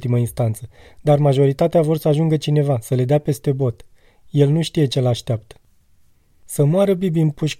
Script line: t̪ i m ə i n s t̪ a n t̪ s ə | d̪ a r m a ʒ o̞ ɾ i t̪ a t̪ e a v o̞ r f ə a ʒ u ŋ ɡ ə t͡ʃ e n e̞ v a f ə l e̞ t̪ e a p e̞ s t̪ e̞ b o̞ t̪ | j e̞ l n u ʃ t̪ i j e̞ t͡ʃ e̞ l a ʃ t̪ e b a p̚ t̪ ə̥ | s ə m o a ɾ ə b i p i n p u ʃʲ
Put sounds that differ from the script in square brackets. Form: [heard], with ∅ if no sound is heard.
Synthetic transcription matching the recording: t̪ i m ə i n s t̪ a n t̪ s ə | d̪ a r m a ʒ o̞ ɾ i t̪ a t̪ e a v o̞ r [s] ə a ʒ u ŋ ɡ ə t͡ʃ [i] n e̞ v a [s] ə l e̞ [d̪] e a p e̞ s t̪ e̞ b o̞ t̪ | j e̞ l n u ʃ t̪ i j e̞ t͡ʃ e̞ l a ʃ t̪ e [∅] a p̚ t̪ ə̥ | s ə m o a ɾ ə b i [b] i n p u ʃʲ